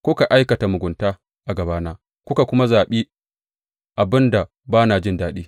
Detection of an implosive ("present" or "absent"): present